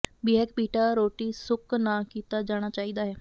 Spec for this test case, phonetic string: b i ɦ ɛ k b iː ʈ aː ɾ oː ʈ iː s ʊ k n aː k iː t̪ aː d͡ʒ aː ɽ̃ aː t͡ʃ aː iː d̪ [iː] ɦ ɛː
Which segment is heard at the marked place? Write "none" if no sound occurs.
aː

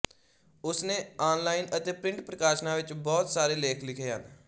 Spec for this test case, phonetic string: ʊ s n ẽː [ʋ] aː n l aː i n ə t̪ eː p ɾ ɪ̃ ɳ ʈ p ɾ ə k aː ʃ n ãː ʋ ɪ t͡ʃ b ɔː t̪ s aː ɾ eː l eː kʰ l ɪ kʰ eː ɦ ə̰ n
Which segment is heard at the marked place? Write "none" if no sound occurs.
none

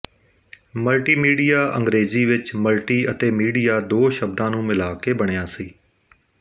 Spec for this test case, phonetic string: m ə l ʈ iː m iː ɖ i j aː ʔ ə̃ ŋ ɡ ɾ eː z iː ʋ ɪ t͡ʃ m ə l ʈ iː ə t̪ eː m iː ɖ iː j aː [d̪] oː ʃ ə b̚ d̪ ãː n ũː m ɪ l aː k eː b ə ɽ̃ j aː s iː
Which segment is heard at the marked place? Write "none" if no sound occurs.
d̪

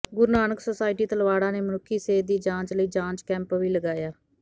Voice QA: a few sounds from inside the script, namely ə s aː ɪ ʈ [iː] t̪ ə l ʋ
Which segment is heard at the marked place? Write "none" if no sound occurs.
iː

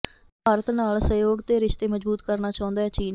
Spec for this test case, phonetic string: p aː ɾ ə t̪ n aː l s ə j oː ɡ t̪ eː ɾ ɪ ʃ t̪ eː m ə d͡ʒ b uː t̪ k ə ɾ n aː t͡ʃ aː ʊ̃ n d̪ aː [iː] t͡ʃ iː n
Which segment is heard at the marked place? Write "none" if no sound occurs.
ɛː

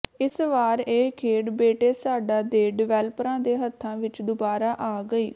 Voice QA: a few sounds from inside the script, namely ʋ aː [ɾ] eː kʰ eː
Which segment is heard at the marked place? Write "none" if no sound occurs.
ɾ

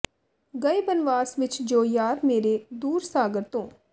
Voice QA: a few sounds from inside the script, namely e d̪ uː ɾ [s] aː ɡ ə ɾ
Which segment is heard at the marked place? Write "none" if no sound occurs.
s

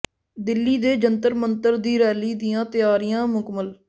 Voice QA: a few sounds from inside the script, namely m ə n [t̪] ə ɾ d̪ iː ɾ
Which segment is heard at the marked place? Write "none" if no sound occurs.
t̪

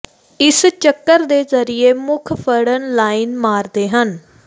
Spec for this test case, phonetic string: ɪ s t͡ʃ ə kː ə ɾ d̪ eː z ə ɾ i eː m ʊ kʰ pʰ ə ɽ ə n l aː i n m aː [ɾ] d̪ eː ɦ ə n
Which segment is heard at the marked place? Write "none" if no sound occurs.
ɾ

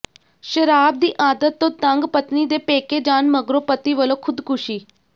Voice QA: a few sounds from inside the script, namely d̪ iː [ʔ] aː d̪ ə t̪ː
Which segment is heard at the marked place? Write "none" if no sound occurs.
ʔ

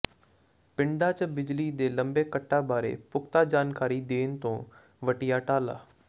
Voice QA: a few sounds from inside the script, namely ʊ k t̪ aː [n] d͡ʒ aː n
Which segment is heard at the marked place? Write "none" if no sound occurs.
none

